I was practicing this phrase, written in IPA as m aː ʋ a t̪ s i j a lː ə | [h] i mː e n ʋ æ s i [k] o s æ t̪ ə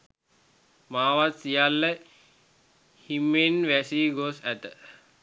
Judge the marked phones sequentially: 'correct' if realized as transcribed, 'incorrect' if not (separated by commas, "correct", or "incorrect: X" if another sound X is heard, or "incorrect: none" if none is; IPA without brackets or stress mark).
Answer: correct, incorrect: ɡ